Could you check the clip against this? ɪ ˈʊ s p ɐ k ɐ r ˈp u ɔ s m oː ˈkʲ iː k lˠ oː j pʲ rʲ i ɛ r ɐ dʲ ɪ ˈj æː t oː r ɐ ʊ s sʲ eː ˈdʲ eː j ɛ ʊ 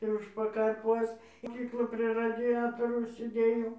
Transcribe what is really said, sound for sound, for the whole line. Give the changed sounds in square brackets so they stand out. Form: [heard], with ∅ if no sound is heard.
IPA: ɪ ˈʊ [ʃ] p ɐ k ɐ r ˈp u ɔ s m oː ˈkʲ iː k lˠ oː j pʲ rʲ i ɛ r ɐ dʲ ɪ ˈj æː t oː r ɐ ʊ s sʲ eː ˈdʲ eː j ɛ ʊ